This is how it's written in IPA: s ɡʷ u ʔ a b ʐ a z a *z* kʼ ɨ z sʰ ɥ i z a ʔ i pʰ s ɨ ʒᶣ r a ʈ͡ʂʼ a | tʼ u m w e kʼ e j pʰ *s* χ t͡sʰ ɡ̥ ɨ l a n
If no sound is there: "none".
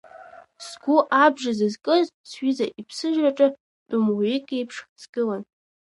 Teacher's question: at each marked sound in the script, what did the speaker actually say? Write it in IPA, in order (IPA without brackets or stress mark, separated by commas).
z, ʂ